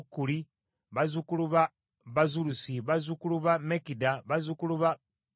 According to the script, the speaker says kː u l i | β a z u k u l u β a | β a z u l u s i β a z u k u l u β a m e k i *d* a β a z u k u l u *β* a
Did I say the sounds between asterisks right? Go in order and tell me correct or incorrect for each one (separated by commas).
correct, correct